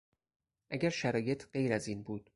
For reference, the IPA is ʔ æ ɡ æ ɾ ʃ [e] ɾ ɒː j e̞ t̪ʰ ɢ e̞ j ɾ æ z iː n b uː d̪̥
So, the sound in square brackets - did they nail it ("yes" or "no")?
no